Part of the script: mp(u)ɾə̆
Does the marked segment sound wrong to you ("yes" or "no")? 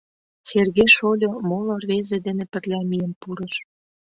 no